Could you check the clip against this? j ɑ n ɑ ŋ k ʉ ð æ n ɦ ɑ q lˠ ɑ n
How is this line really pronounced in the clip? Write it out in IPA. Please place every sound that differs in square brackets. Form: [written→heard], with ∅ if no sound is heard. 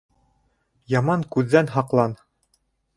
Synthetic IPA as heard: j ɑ [n→m] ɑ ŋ k ʉ [ð→ðː] æ n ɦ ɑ q lˠ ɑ n